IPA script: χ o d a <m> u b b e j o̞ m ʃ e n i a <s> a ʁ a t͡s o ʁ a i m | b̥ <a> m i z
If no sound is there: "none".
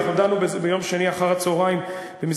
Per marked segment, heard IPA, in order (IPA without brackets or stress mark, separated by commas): n, χ, e